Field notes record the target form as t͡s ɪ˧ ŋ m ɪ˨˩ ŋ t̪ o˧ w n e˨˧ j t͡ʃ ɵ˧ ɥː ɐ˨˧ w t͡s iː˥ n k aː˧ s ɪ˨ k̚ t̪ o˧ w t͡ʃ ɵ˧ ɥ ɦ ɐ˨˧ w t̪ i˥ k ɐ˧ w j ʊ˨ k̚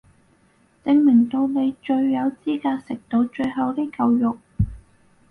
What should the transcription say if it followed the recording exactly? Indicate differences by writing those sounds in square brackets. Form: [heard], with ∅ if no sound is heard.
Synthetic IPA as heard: t͡s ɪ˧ ŋ m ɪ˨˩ ŋ t̪ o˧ w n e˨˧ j t͡ʃ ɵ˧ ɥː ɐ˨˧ w t͡s iː˥ [∅] k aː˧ s ɪ˨ k̚ t̪ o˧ w t͡ʃ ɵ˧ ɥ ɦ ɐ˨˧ w t̪ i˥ k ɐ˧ w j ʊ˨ k̚